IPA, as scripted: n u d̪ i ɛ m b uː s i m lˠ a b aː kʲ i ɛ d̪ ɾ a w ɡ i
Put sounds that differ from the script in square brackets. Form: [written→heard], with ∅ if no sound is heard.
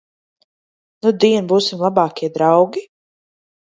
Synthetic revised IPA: n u d̪ i ɛ [m→n] b uː s i m lˠ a b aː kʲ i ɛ d̪ ɾ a w ɡ i